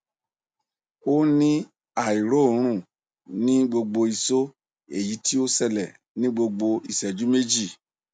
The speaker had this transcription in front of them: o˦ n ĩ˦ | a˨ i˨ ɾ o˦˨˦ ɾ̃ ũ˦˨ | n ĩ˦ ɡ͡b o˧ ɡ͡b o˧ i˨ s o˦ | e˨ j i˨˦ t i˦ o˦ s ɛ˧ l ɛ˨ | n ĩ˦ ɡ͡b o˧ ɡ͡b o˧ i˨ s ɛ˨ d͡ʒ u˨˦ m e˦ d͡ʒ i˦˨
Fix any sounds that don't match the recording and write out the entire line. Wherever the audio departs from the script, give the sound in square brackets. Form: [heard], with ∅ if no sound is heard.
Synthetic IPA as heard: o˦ n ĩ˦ | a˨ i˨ ɾ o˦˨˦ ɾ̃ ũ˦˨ | n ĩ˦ ɡ͡b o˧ ɡ͡b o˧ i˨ s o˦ | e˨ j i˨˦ t i˦ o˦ s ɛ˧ l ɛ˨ | n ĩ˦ ɡ͡b o˧ ɡ͡b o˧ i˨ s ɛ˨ d͡ʒ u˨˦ m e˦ d͡ʒ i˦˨